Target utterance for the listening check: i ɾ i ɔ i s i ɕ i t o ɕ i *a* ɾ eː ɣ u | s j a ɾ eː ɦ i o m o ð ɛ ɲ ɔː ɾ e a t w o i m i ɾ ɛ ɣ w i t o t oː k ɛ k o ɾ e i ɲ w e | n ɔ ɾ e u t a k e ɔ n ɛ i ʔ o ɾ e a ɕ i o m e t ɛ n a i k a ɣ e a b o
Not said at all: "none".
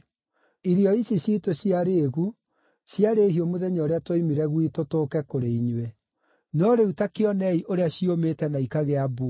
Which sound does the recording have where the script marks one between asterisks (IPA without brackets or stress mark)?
a